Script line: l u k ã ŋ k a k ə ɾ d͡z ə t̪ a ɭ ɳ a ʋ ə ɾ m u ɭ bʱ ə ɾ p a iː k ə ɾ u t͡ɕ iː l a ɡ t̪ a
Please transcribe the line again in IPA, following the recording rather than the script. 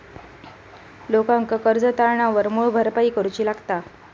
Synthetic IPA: l o k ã ŋ k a k ə ɾ d͡z ə t̪ a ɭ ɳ a ʋ ə ɾ m u ɭ bʱ ə ɾ p a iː k ə ɾ u t͡ɕ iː l a ɡ t̪ a